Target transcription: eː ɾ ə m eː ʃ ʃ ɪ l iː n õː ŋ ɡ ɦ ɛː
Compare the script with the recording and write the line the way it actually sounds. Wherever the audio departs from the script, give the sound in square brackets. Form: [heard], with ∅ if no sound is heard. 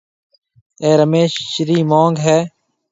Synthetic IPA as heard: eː ɾ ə m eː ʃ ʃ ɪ [ɾ] iː [m] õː ŋ ɡ ɦ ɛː